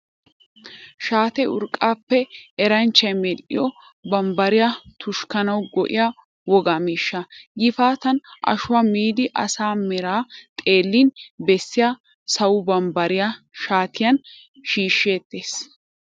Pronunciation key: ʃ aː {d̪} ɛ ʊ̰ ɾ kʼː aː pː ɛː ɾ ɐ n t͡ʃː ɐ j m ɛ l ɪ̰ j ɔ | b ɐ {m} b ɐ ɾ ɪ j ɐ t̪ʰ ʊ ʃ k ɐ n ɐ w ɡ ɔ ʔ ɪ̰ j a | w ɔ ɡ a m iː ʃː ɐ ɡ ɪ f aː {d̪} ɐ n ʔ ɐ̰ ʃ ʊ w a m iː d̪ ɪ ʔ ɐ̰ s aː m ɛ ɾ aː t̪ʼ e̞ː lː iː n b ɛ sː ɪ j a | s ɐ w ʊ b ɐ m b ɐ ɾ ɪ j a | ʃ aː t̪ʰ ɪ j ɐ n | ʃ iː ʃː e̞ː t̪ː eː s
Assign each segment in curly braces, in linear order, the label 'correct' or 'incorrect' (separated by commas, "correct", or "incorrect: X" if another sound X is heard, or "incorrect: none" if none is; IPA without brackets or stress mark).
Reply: incorrect: t̪, correct, incorrect: t̪